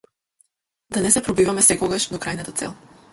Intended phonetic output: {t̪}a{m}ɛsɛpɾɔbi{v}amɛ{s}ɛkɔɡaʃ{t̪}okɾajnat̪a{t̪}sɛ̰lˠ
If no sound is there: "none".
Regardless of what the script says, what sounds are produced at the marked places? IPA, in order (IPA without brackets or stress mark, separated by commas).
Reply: d̪, n, v, s, d̪, t̪